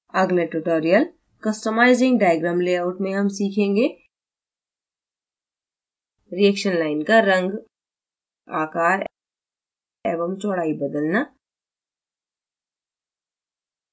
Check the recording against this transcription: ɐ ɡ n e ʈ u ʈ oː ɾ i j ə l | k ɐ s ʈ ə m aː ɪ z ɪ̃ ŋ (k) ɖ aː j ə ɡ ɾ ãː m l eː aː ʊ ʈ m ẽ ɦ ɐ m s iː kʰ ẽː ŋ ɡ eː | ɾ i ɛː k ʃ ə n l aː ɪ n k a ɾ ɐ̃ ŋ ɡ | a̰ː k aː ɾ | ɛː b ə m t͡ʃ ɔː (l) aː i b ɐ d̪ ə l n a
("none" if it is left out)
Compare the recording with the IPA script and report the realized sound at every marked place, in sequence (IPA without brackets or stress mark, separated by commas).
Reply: ɡ, ɽ